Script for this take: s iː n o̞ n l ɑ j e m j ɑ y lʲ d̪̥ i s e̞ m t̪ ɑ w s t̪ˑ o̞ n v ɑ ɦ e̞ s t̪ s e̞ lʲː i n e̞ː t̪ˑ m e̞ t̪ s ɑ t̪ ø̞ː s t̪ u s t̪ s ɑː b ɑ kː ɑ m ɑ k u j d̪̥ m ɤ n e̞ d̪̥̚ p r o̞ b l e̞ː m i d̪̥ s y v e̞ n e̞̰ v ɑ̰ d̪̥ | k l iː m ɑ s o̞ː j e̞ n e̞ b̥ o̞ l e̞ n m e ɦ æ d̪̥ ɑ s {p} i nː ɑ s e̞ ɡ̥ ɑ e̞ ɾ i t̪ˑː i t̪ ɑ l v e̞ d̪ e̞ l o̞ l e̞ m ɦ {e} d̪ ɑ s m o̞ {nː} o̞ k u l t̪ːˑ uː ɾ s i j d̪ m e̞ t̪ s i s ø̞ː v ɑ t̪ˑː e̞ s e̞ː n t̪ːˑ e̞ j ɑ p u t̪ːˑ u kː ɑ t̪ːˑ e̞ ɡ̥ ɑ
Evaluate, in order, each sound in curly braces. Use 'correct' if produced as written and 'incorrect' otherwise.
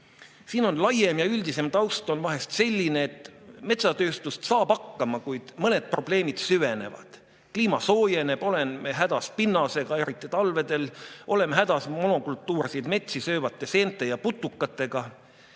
correct, incorrect: æ, incorrect: n

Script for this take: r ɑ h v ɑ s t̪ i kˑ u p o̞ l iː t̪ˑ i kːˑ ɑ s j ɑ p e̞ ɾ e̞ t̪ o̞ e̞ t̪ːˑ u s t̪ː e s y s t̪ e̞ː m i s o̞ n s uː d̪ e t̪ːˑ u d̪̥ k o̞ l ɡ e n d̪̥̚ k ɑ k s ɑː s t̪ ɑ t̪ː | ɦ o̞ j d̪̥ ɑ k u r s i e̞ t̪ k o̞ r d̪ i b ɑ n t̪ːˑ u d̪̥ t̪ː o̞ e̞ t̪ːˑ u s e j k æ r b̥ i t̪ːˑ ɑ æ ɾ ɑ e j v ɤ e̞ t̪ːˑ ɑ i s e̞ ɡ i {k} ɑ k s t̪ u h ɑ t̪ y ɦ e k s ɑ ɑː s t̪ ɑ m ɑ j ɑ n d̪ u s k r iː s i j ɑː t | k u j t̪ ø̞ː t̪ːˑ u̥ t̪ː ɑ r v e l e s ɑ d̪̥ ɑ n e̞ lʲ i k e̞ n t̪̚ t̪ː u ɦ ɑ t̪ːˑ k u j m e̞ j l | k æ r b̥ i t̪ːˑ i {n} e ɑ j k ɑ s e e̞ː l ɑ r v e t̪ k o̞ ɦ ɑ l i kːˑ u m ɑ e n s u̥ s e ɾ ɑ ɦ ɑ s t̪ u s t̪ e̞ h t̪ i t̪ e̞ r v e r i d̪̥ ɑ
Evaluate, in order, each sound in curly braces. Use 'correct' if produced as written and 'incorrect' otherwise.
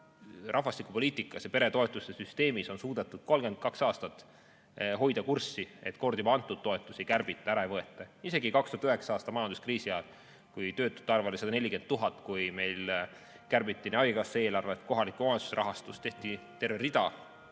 correct, correct

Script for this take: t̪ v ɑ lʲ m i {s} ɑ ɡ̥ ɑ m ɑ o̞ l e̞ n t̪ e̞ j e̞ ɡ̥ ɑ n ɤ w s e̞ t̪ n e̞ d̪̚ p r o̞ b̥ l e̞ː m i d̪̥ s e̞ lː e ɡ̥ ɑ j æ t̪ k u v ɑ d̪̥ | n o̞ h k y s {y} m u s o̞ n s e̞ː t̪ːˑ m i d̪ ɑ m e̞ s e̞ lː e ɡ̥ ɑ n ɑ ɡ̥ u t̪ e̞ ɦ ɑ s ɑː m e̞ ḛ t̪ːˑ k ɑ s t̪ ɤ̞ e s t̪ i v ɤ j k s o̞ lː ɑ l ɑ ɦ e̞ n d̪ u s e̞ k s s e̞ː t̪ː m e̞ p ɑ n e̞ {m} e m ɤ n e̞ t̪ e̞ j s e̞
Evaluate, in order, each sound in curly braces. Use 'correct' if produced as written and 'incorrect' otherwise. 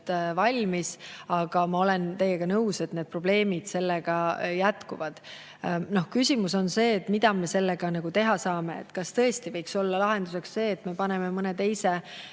correct, incorrect: i, correct

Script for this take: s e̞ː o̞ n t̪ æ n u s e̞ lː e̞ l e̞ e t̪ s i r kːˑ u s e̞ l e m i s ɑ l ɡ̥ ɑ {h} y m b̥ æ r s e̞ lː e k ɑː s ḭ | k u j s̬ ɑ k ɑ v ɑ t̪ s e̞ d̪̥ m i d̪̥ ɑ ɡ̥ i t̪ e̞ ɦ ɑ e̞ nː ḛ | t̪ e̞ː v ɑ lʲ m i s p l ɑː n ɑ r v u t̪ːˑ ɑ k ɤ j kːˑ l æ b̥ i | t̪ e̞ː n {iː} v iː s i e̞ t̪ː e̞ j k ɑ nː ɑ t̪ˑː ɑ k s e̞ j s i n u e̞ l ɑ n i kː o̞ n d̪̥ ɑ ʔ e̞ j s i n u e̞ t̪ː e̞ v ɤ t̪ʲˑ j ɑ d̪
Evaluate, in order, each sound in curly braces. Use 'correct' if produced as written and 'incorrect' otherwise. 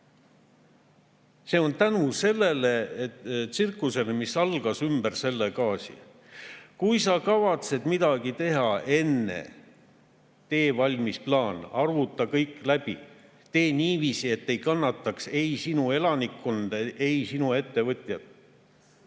incorrect: s, correct

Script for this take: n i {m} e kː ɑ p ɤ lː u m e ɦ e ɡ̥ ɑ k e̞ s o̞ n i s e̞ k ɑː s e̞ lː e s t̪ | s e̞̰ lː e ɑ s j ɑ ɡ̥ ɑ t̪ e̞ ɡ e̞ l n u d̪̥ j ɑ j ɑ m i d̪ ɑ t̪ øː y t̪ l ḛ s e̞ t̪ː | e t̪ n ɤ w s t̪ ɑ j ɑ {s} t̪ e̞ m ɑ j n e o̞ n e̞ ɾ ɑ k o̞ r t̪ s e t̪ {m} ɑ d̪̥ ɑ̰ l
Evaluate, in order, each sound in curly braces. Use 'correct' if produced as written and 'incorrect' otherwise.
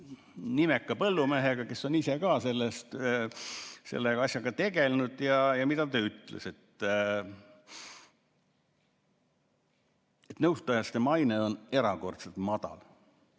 correct, correct, correct

